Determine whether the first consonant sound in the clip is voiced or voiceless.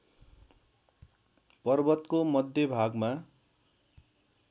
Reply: voiceless